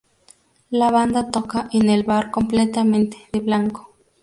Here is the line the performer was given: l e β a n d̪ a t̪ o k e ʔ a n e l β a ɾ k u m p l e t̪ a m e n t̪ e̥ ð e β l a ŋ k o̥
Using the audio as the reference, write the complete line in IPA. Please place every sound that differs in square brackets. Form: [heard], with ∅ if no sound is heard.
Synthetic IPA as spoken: l [a] β a n d̪ a t̪ o k [a] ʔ [e] n e l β a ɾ k [o] m p l e t̪ a m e n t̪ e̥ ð e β l a ŋ k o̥